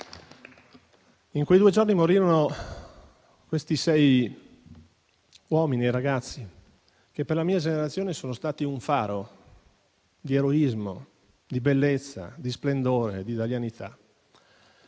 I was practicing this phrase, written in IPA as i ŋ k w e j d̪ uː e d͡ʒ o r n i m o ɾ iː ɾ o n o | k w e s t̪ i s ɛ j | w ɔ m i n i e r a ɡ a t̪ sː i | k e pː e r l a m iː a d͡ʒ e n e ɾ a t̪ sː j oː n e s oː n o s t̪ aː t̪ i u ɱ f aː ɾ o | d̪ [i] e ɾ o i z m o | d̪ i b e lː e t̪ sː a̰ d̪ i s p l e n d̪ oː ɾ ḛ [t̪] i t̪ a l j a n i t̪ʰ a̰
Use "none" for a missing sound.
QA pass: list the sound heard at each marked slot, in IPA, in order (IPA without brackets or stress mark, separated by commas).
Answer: i, d̪